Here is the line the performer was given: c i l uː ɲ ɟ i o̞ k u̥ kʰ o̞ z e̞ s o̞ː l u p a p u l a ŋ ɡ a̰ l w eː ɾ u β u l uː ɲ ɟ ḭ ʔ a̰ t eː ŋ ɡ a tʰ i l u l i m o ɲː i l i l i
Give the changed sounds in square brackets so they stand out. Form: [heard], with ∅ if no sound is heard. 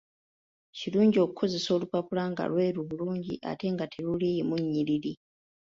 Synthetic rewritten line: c i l uː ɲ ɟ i o̞ k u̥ kʰ o̞ z e̞ s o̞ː l u p a p u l a ŋ ɡ a̰ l w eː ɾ u β u l uː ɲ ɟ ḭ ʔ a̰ t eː ŋ ɡ a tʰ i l u l i m [u] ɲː i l i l i